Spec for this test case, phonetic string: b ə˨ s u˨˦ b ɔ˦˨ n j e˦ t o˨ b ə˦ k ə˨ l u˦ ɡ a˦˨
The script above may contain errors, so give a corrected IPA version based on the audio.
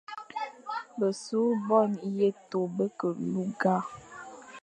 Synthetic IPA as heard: b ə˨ s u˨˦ b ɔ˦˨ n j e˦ t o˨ b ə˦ k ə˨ l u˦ ɡ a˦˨